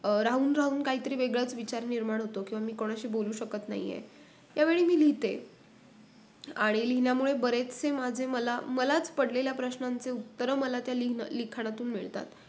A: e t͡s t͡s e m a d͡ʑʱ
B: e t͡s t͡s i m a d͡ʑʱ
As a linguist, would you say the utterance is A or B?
A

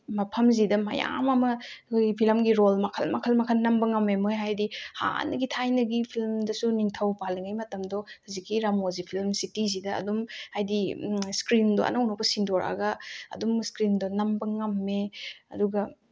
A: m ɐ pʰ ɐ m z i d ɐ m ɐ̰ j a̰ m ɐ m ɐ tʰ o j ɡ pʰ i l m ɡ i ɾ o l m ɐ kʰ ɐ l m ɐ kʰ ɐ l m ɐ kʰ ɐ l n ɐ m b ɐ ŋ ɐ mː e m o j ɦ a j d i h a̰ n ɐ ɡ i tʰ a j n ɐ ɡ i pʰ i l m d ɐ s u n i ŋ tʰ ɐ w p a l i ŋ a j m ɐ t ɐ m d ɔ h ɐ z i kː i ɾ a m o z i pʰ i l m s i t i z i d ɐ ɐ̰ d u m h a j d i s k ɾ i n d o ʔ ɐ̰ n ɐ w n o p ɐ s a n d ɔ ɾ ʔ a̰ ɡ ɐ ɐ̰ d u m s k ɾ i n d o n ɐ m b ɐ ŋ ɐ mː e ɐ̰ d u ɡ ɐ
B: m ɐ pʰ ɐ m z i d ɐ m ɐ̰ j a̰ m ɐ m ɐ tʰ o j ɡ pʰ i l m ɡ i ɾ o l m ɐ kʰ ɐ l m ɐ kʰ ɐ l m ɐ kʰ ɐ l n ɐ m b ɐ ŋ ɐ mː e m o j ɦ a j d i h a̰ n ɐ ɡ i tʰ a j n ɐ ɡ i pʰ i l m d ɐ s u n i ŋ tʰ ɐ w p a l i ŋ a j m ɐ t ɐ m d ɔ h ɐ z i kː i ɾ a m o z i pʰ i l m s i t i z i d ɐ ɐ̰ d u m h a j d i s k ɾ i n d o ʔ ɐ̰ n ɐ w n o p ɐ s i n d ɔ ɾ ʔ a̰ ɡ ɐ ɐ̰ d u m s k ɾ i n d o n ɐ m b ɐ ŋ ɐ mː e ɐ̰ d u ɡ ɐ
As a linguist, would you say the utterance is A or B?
B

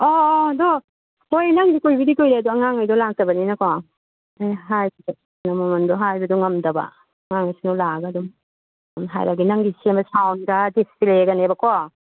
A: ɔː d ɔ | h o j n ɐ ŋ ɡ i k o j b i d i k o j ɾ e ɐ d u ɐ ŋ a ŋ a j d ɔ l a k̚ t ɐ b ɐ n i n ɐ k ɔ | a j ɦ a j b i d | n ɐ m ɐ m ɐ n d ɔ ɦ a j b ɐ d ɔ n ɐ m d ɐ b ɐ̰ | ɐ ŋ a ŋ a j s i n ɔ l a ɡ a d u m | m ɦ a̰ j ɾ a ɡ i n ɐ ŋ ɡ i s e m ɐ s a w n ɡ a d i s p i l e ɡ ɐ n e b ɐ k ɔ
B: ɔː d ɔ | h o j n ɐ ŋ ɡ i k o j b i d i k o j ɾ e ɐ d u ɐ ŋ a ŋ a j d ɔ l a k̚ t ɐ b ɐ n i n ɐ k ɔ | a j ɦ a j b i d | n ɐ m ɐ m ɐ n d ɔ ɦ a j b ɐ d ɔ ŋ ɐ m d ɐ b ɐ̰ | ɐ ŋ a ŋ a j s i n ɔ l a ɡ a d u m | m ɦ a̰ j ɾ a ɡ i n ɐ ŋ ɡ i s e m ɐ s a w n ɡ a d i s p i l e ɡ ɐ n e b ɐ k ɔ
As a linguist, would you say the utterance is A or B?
B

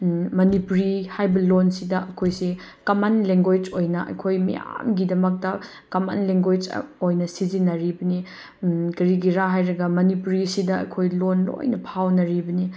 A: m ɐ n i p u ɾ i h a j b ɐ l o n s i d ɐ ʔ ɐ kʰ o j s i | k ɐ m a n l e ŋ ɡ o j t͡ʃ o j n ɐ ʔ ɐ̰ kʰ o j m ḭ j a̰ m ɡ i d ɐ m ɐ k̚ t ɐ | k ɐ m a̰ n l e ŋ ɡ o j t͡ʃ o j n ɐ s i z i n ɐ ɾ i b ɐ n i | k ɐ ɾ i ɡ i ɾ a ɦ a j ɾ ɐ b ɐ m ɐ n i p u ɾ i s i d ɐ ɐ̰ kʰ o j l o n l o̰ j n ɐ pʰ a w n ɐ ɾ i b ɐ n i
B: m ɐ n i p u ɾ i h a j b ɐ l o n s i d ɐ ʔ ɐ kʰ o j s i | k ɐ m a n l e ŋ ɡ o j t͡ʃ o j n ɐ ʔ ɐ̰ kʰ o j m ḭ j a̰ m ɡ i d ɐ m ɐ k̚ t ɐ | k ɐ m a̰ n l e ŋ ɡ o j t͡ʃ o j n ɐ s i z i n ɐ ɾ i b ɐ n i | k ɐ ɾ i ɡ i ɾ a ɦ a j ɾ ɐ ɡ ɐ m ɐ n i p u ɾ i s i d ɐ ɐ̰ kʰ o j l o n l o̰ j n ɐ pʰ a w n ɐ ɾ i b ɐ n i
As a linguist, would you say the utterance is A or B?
B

